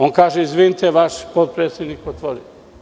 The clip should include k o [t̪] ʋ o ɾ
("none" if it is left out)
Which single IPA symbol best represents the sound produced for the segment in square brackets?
t̪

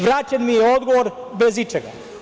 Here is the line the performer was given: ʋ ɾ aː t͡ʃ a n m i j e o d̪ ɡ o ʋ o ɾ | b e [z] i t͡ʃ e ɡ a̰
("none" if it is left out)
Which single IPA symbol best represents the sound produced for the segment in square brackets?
z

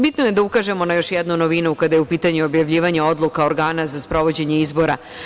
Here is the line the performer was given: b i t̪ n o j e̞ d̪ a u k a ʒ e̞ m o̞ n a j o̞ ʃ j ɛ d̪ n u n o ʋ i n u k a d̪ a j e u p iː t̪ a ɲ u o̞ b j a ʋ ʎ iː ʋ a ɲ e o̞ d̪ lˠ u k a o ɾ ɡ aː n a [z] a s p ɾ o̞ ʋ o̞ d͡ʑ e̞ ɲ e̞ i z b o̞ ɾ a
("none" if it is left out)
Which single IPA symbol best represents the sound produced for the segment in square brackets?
z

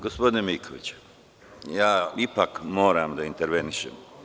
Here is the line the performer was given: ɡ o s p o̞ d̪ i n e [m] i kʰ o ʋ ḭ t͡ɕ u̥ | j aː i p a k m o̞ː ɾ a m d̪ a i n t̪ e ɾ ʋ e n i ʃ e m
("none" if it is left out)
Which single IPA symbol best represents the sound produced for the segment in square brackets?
m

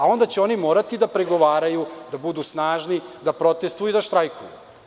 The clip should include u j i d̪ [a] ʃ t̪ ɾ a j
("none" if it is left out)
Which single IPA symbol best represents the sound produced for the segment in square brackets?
a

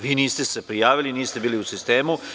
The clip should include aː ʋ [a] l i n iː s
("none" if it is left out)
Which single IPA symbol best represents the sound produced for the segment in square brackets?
i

